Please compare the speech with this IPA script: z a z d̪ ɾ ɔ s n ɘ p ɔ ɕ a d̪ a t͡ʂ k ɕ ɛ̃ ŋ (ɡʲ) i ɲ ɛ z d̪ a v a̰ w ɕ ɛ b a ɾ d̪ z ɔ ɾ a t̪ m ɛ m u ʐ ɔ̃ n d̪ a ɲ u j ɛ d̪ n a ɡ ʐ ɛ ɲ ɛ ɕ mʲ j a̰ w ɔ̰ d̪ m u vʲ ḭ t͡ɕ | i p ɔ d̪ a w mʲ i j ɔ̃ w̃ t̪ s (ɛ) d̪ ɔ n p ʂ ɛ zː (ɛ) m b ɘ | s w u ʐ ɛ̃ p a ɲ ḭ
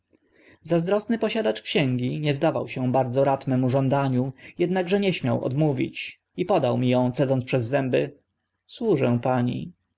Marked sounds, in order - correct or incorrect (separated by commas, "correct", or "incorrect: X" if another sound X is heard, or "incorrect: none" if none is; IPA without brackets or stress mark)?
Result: correct, correct, correct